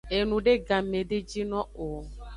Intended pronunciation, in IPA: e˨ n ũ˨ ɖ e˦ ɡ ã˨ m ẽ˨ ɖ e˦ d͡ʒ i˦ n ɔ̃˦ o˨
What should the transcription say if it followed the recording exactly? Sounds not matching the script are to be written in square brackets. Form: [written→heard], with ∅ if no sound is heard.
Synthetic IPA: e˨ n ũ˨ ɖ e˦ ɡ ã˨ m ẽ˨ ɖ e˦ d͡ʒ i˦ n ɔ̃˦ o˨